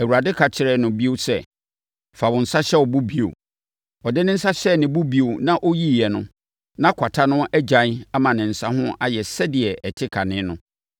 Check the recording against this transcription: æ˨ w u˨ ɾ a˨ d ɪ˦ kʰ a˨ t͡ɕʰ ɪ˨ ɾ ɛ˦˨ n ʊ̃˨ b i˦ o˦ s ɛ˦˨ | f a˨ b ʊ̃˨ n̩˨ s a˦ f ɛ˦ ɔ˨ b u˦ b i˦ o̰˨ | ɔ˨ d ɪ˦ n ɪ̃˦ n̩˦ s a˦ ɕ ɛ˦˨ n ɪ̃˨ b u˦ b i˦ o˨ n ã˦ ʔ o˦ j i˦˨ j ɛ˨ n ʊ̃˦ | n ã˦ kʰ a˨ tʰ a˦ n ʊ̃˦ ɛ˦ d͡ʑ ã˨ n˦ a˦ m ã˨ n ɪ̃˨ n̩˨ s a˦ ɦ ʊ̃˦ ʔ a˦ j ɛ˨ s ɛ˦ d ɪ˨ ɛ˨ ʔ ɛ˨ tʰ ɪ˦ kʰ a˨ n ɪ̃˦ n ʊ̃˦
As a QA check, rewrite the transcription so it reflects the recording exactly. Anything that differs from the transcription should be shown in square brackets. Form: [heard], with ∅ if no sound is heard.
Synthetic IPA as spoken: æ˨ w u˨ ɾ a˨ d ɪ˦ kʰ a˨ t͡ɕʰ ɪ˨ ɾ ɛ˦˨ n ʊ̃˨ b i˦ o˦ s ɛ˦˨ | f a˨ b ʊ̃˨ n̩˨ s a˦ [ɕ] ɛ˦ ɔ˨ b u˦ b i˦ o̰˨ | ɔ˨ d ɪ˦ n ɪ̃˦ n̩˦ s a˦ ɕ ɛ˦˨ n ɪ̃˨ b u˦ b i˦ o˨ n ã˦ ʔ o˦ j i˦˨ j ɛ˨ n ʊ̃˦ | n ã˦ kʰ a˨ tʰ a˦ n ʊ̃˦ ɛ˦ d͡ʑ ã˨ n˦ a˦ m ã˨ n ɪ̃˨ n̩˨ s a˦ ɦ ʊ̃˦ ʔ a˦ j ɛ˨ s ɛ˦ d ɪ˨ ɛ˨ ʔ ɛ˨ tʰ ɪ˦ kʰ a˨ n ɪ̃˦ n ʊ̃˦

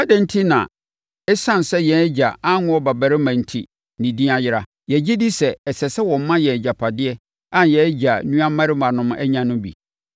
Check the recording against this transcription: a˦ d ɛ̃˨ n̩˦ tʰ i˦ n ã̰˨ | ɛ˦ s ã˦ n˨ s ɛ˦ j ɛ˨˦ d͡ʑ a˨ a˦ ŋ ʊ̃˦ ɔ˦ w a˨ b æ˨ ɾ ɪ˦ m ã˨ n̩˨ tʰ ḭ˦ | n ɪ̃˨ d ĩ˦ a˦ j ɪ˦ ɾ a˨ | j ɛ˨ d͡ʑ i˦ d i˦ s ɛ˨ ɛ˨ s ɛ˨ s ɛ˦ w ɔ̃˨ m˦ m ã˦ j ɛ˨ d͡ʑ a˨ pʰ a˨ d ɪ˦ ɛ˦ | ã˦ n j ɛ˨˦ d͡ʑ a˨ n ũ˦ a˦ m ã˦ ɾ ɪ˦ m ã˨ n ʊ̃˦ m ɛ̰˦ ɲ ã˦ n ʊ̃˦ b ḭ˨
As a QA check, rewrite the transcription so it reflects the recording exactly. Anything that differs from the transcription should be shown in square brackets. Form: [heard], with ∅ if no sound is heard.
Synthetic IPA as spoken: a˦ d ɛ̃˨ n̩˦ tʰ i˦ n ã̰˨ | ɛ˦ s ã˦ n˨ s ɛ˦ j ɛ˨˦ d͡ʑ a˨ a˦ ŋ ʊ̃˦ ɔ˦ [b] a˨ b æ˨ ɾ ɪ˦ m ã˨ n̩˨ tʰ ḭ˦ | n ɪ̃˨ d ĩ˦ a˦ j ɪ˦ ɾ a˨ | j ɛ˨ d͡ʑ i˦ d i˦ s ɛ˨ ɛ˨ s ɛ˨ s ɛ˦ w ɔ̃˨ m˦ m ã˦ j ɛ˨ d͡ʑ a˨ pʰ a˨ d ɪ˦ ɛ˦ | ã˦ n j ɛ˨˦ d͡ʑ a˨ n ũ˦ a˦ m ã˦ ɾ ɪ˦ m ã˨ n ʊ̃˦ m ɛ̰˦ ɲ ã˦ n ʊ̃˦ b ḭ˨

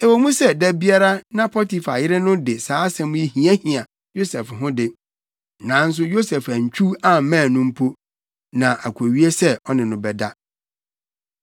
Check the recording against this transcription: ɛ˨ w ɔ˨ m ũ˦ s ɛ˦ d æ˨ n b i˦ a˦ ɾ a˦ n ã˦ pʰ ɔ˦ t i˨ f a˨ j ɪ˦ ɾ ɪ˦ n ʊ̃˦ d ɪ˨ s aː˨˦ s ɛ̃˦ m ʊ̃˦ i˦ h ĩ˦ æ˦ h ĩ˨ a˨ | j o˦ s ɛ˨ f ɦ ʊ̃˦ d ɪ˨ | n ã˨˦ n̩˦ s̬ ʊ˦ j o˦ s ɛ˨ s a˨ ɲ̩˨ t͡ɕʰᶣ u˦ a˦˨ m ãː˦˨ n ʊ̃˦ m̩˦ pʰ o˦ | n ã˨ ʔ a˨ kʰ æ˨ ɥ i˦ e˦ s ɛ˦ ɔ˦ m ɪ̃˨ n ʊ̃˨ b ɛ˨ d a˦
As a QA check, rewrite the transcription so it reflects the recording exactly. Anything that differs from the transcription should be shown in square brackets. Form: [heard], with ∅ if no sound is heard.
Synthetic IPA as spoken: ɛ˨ w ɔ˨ m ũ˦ s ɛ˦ d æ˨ [∅] b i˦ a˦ ɾ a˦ n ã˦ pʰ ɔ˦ t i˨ f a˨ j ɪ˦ ɾ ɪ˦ n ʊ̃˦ d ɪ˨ s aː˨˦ s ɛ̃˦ m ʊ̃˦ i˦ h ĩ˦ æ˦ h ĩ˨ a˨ | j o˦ s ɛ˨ f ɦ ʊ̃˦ d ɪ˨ | n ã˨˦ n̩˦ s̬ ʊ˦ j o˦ s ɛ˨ [f] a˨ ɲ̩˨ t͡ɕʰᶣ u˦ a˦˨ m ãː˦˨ n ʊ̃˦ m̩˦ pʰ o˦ | n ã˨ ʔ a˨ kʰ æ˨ ɥ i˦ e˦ s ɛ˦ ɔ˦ [n] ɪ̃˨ n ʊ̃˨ b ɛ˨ d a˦

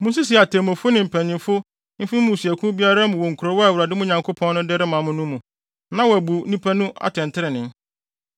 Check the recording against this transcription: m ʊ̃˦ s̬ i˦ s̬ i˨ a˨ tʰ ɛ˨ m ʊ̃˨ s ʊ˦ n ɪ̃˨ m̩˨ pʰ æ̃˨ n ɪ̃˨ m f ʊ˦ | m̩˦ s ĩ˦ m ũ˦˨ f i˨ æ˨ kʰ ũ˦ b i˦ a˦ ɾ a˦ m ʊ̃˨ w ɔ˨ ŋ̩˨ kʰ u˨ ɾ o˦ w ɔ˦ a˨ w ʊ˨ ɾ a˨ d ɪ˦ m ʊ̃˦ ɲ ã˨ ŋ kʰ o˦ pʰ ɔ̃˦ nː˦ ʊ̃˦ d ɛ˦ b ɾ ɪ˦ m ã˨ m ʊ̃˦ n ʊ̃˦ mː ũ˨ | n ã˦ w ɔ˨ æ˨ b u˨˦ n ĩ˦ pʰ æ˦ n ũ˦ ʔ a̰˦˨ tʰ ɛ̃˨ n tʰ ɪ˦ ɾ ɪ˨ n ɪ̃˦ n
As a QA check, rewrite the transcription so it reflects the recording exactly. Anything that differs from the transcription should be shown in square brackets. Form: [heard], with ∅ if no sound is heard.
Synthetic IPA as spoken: m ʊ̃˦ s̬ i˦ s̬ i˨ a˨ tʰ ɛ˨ m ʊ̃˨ [f] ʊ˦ n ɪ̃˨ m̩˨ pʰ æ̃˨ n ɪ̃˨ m f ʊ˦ | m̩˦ [f] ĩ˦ m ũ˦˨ [s] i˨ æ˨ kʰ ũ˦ b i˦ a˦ ɾ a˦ m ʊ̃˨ w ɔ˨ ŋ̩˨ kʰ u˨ ɾ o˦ w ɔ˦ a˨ w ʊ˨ ɾ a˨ d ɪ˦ m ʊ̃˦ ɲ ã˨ ŋ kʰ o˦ pʰ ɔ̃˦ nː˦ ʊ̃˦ d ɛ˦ [∅] ɾ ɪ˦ m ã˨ m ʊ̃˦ n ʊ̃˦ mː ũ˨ | n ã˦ w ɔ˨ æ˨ b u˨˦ n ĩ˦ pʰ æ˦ n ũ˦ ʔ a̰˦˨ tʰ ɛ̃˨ n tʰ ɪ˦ ɾ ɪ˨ n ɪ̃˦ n

